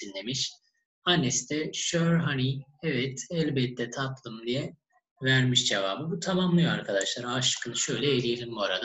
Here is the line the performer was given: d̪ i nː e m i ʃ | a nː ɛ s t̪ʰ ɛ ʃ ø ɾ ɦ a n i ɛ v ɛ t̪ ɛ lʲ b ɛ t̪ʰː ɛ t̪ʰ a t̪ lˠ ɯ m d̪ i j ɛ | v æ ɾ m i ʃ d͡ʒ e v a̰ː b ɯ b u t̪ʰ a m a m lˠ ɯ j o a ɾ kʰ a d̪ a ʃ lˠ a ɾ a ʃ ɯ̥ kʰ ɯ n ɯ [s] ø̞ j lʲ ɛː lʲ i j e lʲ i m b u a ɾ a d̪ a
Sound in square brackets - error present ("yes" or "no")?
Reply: yes